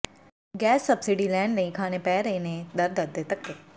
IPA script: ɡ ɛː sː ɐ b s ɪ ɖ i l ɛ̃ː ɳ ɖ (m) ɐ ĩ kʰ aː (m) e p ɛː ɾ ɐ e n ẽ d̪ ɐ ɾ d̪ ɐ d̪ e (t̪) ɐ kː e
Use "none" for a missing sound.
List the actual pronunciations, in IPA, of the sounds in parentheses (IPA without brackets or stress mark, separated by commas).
n, n, t̪